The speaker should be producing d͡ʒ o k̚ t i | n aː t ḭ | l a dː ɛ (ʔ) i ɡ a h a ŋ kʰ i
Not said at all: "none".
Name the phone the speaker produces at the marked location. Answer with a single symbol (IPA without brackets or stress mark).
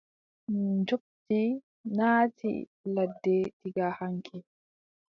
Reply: t